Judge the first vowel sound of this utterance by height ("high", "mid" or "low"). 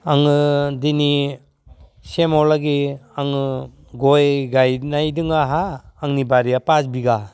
low